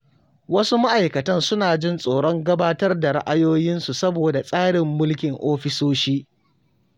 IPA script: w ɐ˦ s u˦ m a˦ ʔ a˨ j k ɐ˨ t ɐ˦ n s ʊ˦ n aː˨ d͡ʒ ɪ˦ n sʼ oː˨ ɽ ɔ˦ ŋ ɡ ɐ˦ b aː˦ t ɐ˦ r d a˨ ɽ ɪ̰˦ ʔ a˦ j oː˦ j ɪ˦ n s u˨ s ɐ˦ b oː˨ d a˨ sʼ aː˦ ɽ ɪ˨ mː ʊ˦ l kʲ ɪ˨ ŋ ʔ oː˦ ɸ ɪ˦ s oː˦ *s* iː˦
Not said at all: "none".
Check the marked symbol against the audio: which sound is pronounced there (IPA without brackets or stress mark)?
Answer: ʃ